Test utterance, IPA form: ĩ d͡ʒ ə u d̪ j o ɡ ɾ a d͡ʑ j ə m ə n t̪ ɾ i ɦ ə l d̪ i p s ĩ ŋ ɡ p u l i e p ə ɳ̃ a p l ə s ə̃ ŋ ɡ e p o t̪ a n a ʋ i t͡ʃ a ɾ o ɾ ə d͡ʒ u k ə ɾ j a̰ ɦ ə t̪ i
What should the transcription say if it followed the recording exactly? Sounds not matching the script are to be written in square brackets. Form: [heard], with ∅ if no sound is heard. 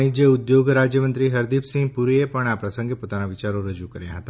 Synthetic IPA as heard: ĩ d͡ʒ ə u d̪ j o ɡ ɾ a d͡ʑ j ə m ə n t̪ ɾ i ɦ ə [ɾ] d̪ i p s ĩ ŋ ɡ p u [ɾ] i e p ə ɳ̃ a p [ɾ] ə s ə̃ ŋ ɡ e p o t̪ a n a ʋ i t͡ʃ a ɾ o ɾ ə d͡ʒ u k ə ɾ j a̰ ɦ ə t̪ [a]